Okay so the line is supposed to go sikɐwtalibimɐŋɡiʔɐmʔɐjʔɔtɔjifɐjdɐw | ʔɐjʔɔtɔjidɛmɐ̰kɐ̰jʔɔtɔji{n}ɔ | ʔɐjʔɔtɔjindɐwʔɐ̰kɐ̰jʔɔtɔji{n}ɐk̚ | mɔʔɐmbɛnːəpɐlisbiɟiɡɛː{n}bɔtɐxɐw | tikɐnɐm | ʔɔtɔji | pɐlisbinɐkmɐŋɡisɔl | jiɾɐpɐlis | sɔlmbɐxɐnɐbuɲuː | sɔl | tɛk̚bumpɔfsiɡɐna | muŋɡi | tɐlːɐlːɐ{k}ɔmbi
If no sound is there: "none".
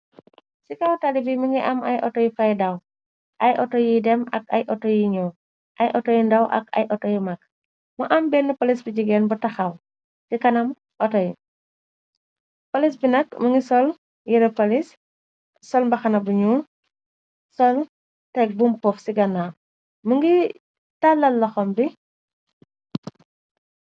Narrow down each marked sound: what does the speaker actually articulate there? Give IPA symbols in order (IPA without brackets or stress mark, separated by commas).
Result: ɲ, m, n, x